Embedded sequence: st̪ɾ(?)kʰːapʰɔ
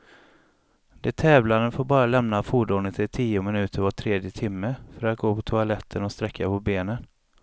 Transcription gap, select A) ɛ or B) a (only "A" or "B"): A